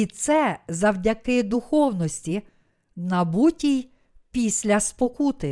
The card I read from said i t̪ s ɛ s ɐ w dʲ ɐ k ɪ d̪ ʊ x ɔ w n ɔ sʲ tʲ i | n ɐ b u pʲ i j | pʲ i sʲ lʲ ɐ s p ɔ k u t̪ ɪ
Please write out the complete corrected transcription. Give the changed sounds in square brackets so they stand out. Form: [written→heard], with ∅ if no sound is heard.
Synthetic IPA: i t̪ s ɛ [s→z] ɐ w dʲ ɐ k ɪ d̪ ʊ x ɔ w n ɔ sʲ tʲ i | n ɐ b u [pʲ→tʲ] i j | pʲ i sʲ lʲ ɐ s p ɔ k u t̪ ɪ